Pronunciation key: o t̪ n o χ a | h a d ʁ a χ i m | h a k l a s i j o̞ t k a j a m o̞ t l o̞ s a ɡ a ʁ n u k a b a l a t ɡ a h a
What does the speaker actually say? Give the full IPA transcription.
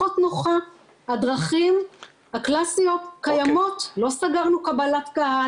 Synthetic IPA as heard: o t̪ n o χ a | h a d ʁ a χ i m | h a k l a s i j o̞ t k a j a m o̞ t l o̞ s a ɡ a ʁ n u k a b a l a t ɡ a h a